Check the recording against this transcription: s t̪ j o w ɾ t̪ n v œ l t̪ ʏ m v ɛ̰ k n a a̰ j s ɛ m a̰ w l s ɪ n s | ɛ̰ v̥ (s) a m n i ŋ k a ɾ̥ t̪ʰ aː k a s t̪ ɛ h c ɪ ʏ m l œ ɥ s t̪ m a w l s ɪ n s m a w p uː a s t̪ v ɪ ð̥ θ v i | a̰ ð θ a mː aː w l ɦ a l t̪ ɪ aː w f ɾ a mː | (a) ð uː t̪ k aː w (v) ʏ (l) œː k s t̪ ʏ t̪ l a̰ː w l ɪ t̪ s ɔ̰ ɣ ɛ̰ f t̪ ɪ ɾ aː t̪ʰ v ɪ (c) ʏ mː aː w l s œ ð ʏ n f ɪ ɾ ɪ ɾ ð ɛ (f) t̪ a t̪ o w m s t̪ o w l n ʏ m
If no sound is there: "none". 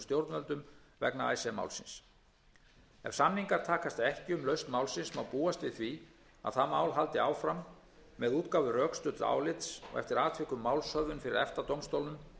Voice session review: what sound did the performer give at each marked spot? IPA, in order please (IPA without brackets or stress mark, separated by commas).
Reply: s, ɛ, v, r, k, f